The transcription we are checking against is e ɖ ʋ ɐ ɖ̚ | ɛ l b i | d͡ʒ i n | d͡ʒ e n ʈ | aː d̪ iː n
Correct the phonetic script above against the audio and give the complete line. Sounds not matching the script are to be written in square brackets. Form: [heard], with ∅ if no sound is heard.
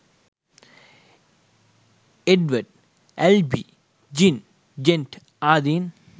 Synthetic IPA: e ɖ ʋ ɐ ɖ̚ | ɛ l b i | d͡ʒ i n | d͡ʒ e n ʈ | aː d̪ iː n